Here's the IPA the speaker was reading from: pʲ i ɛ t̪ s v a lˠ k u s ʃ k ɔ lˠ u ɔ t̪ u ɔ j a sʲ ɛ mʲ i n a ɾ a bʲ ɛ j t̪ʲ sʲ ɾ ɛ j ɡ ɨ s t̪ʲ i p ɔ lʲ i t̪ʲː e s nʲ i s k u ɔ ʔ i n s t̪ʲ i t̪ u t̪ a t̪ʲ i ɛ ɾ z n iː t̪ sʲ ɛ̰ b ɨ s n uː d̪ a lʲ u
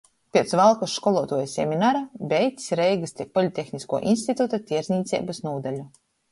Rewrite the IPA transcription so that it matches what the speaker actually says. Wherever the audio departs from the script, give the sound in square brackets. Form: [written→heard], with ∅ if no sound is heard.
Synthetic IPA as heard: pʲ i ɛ t̪ s v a lˠ k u s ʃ k ɔ lˠ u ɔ t̪ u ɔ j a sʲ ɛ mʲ i n a ɾ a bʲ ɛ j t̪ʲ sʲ ɾ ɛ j ɡ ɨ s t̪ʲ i p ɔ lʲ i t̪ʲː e [s→x] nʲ i s k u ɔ ʔ i n s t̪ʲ i t̪ u t̪ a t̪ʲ i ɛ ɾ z n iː t̪ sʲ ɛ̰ b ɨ s n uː d̪ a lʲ u